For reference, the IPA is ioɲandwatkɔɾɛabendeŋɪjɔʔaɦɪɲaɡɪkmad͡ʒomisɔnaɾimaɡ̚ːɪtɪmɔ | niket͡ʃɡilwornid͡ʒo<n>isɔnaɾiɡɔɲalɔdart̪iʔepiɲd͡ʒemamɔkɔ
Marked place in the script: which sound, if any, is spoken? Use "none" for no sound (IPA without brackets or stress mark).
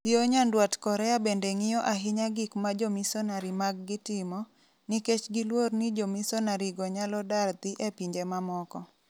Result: m